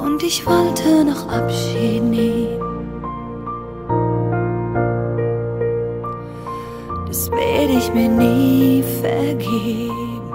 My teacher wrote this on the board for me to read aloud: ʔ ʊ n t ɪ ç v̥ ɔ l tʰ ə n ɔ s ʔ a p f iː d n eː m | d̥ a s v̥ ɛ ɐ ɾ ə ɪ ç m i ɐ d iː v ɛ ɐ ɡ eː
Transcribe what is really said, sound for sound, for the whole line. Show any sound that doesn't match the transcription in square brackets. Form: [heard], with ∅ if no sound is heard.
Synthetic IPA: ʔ ʊ n t ɪ ç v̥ ɔ l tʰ ə n ɔ [χ] ʔ a p [ʃ] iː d n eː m | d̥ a s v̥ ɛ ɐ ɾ ə ɪ ç m [iː] ɐ [n] iː [f] ɛ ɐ ɡ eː

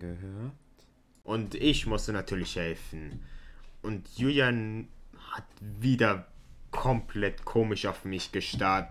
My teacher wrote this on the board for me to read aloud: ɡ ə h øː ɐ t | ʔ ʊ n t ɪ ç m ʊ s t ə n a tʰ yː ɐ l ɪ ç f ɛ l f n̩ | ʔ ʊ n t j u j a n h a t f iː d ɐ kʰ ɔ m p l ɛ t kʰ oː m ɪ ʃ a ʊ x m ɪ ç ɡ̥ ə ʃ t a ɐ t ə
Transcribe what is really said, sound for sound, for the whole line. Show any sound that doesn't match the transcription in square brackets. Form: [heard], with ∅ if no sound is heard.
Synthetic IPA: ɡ ə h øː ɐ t | ʔ ʊ n t ɪ ç m ʊ s t ə n a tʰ yː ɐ l ɪ ç [h] ɛ l f n̩ | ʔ ʊ n t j u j a n h a t [v] iː d ɐ kʰ ɔ m p l ɛ t kʰ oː m ɪ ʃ a ʊ [f] m ɪ ç ɡ̥ ə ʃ t a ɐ t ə

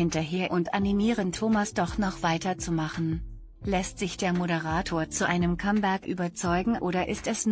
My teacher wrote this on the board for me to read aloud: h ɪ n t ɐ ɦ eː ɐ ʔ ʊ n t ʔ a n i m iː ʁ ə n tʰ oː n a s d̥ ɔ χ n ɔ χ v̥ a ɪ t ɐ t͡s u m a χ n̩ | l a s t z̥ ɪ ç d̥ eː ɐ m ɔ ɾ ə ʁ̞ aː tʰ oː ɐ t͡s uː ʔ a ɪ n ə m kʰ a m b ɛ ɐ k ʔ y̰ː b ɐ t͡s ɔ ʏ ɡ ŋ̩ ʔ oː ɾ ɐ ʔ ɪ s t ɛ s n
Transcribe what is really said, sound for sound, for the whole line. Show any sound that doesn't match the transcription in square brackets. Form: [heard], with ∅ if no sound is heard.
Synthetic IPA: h ɪ n t ɐ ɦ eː ɐ ʔ ʊ n t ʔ a n i m iː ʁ ə n tʰ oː [m] a s d̥ ɔ χ n ɔ χ v̥ a ɪ t ɐ t͡s u m a χ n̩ | l [ɛ] s t z̥ ɪ ç d̥ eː ɐ m [o] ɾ ə ʁ̞ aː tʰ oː ɐ t͡s [u] ʔ a ɪ n ə m kʰ a m b ɛ ɐ k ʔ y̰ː b ɐ t͡s ɔ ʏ ɡ ŋ̩ ʔ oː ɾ ɐ ʔ ɪ s t ɛ s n

